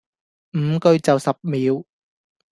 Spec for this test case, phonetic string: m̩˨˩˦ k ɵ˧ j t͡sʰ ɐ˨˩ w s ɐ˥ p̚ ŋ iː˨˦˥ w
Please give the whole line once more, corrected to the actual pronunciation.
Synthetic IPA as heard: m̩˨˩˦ k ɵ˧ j t͡s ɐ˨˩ w s ɐ˨˩ p̚ m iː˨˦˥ w

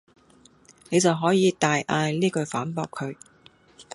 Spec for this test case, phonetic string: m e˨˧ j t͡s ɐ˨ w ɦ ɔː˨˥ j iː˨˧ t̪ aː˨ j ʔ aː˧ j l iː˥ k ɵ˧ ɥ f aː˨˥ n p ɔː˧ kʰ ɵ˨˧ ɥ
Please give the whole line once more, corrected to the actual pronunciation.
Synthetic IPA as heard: n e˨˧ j t͡s ɐ˨ w ɦ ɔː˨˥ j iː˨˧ t̪ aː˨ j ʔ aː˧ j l iː˥ k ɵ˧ ɥ f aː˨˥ n p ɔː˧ kʰ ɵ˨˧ ɥ

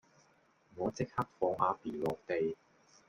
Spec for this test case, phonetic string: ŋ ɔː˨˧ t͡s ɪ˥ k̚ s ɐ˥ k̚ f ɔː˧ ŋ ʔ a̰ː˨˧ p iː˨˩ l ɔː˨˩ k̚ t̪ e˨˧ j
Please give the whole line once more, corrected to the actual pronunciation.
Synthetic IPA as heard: ŋ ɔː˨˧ t͡s ɪ˥ k̚ h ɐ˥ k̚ f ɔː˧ ŋ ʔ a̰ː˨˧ p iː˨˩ l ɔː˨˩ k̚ t̪ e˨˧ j

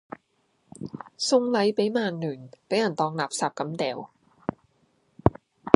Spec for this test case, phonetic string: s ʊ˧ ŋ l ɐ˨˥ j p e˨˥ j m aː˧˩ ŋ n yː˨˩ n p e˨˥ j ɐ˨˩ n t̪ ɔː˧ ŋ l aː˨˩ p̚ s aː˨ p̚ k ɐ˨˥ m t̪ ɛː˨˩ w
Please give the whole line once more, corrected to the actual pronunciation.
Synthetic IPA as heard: s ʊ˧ ŋ l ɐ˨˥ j p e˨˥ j m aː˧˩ ŋ n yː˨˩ n p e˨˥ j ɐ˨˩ n t̪ ɔː˧ ŋ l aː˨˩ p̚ s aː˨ p̚ k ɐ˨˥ m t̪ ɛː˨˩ w

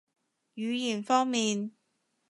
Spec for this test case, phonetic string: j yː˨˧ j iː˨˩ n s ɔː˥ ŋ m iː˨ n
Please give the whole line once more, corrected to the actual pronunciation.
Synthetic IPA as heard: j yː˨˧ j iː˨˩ n f ɔː˥ ŋ m iː˨ n

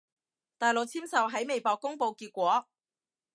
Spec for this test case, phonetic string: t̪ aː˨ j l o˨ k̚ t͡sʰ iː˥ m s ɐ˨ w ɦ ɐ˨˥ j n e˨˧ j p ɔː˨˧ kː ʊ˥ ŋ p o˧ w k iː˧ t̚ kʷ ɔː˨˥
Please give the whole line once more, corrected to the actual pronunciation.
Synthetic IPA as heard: t̪ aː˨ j l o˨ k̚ t͡sʰ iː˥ m s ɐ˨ w ɦ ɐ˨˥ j m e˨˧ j p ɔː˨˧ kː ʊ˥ ŋ p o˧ w k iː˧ t̚ kʷ ɔː˨˥

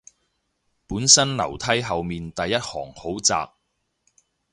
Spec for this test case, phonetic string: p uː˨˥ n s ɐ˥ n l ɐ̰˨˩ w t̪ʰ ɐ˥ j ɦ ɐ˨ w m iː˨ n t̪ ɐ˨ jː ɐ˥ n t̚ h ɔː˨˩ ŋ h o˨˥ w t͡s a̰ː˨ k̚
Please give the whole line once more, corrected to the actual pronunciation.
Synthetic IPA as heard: p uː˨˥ n s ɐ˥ n l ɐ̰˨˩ w t̪ʰ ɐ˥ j ɦ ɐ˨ w m iː˨ n t̪ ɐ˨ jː ɐ˥ t̚ h ɔː˨˩ ŋ h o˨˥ w t͡s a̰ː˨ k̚

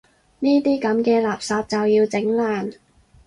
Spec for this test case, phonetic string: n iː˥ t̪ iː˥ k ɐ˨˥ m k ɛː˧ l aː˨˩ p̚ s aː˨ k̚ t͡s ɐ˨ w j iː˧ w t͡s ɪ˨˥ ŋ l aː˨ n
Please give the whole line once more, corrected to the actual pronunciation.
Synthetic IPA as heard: n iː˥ t̪ iː˥ k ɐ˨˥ m k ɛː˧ l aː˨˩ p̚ s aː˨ p̚ t͡s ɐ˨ w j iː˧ w t͡s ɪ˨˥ ŋ l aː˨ n

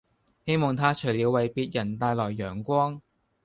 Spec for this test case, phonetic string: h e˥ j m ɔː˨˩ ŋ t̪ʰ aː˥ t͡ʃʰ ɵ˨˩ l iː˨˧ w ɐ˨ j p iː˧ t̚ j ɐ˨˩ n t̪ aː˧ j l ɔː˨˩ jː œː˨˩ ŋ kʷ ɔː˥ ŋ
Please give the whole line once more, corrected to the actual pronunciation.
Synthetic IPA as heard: h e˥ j m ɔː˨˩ ŋ t̪ʰ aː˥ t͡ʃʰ ɵ˨˩ l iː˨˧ w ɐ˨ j p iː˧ t̚ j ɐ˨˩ n t̪ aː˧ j l ɔː˨˩ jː œː˨˩ ŋ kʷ ɔː˥ ŋ

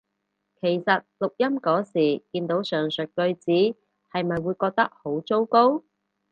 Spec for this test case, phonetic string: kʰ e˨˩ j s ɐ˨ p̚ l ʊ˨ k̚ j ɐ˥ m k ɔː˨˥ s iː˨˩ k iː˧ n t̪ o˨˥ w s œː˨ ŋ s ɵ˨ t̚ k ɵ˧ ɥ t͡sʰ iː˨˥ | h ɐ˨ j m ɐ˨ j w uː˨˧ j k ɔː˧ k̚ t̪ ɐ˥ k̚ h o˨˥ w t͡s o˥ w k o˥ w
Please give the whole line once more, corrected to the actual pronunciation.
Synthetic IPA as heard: kʰ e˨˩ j s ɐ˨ t̚ l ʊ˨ k̚ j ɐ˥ m k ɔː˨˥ s iː˨˩ k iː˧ n t̪ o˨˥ w s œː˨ ŋ s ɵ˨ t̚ k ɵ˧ ɥ t͡s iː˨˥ | h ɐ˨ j m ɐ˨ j w uː˨˧ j k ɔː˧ k̚ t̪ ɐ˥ k̚ h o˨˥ w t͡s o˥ w k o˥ w

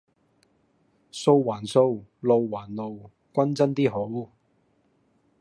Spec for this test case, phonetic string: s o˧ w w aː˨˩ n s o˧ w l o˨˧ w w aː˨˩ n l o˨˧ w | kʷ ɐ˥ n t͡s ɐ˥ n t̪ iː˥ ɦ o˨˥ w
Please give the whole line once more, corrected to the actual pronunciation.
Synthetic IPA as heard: s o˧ w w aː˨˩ n s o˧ w l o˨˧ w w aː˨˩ n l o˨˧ w | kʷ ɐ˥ n t͡s ɐ˥ n t̪ iː˥ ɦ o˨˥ w

